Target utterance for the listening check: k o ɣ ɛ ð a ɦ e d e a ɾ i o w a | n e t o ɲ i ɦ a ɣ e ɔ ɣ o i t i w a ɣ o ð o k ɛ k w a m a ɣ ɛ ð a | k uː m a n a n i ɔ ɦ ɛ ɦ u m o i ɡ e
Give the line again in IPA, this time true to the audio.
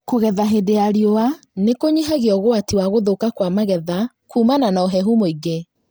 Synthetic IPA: k o ɣ ɛ ð a ɦ e d e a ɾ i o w a | n e k o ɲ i ɦ a ɣ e ɔ ɣ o a t i w a ɣ o ð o k a k w a m a ɣ ɛ ð a | k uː m a n a n a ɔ ɦ ɛ ɦ u m o i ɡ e